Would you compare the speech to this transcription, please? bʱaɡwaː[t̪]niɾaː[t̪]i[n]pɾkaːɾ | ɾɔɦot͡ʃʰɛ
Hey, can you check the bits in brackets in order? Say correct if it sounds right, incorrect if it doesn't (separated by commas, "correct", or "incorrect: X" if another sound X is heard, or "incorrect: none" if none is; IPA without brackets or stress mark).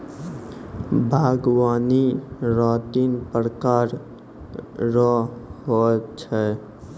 incorrect: none, correct, correct